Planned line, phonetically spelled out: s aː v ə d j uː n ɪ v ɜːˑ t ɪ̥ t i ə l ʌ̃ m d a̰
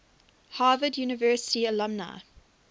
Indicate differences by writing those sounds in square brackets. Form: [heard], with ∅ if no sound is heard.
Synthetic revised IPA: [h] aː v ə d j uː n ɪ v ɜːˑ [s] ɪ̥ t i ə l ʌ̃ m [n] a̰